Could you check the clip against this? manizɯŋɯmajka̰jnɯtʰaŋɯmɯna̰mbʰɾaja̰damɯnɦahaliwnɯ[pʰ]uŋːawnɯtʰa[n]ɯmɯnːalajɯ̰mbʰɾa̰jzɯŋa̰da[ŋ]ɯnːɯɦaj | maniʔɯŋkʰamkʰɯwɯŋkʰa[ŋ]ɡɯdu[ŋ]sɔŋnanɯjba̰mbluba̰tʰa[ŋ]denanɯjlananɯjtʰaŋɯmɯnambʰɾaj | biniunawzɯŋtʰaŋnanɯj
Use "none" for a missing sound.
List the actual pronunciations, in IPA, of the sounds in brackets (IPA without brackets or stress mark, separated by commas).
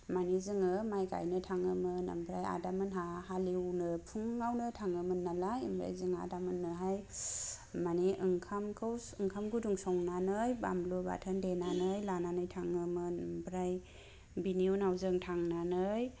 pʰ, ŋ, m, m, ŋ, n